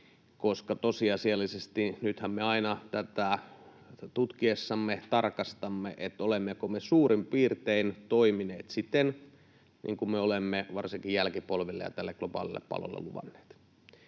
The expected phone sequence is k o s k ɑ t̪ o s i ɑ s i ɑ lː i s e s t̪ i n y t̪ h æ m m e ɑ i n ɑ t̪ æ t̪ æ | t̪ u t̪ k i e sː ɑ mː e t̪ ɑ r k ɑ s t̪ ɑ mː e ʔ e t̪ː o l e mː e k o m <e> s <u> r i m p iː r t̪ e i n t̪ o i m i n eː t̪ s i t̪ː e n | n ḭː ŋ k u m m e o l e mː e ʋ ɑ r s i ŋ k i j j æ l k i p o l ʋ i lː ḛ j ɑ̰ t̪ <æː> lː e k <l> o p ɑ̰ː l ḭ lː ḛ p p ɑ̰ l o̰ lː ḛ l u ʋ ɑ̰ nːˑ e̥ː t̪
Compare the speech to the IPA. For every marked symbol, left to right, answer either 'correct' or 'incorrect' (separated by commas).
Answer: correct, incorrect, incorrect, correct